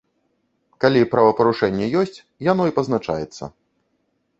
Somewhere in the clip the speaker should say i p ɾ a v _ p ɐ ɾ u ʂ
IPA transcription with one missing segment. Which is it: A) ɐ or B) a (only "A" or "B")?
A